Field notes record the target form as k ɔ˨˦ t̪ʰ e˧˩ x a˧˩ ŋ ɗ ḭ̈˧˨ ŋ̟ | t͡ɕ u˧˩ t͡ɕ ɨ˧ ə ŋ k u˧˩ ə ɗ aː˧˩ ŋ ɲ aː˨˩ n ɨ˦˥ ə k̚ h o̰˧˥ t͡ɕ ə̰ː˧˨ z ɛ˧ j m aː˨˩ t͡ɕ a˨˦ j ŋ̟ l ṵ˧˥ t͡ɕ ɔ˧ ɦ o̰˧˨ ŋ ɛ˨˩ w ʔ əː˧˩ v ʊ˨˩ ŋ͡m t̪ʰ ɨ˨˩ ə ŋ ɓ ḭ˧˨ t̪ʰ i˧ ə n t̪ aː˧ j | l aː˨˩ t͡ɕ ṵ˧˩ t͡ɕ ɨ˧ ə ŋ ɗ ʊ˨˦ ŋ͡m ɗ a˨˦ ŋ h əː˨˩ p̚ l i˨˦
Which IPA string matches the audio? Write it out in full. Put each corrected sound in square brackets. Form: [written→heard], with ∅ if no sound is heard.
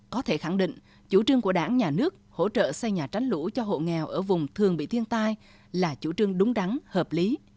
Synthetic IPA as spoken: k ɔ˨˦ t̪ʰ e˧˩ x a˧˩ ŋ ɗ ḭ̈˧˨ ŋ̟ | t͡ɕ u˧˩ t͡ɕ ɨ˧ ə ŋ k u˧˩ ə ɗ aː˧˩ ŋ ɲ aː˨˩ n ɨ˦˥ ə k̚ h o̰˧˥ t͡ɕ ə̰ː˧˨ [z→s] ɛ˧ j [m→ɲ] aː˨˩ t͡ɕ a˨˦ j ŋ̟ l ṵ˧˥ t͡ɕ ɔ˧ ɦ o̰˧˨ ŋ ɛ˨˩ w ʔ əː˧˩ v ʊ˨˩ ŋ͡m t̪ʰ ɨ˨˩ ə ŋ ɓ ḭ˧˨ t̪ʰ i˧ ə n t̪ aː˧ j | l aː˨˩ t͡ɕ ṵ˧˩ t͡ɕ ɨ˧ ə ŋ ɗ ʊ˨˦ ŋ͡m ɗ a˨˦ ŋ h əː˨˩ p̚ l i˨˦